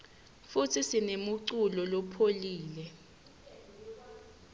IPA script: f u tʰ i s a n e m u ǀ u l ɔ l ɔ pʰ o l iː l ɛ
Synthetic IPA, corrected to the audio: f u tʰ i s i n e m u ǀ u l ɔ l ɔ pʰ o l iː l ɛ